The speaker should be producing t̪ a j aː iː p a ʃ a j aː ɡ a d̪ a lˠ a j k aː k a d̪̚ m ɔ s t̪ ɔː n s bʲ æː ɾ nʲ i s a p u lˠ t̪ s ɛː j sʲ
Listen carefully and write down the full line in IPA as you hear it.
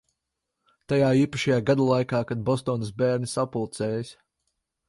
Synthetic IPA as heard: t̪ a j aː iː p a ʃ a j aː ɡ a d̪ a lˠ a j k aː k a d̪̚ b ɔ s t̪ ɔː n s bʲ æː ɾ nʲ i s a p u lˠ t̪ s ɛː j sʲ